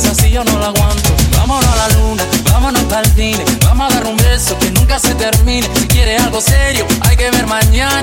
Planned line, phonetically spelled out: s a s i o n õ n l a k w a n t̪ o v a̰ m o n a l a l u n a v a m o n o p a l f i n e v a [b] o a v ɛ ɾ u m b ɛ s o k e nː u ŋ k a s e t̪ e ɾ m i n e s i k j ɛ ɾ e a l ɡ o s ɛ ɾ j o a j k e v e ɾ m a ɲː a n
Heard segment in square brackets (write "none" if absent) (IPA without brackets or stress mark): m